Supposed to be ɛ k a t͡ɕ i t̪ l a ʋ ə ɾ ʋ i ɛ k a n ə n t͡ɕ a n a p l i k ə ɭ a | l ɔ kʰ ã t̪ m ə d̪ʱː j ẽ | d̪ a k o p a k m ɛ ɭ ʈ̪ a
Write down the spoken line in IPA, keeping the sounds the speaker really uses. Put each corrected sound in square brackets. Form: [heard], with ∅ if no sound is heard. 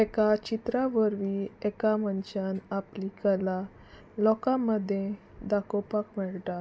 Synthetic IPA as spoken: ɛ k a t͡ɕ i t̪ [ɾ] a ʋ ə ɾ ʋ i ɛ k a [m] ə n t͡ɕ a n a p l i k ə [l] a | l ɔ [k] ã [∅] m ə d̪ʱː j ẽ | d̪ a k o p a k m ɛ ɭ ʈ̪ a

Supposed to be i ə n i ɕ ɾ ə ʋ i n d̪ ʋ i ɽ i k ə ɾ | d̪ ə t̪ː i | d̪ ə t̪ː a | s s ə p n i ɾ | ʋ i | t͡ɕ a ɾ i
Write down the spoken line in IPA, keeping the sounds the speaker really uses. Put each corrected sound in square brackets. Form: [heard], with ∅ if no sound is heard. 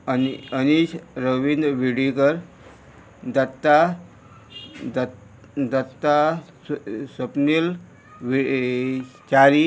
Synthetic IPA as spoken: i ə n i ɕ ɾ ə ʋ i n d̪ ʋ i ɽ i k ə ɾ | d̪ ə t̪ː [a] | d̪ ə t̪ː a | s s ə p n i [l] | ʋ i | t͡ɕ a ɾ i

